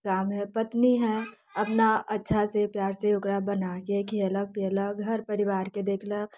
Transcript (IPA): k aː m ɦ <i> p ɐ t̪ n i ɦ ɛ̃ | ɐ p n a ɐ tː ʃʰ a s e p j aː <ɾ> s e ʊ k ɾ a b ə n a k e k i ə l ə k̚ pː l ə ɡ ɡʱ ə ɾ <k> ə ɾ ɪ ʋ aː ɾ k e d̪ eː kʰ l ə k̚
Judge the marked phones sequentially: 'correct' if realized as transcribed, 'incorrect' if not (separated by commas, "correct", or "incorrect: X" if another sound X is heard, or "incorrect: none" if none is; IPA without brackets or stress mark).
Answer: incorrect: ɛ, correct, incorrect: p